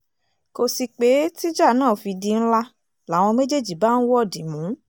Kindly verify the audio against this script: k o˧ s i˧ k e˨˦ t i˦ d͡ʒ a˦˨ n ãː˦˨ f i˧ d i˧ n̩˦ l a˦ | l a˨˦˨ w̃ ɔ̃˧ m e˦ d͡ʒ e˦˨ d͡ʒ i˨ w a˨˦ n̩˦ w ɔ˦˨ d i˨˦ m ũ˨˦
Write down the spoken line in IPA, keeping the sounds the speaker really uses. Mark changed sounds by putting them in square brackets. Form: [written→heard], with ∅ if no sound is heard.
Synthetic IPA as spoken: k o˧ s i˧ [k→k͡p] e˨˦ t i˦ d͡ʒ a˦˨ n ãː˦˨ f i˧ d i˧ n̩˦ l a˦ | l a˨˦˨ w̃ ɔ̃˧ m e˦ d͡ʒ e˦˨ d͡ʒ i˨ [w→b] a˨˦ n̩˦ w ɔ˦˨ d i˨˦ m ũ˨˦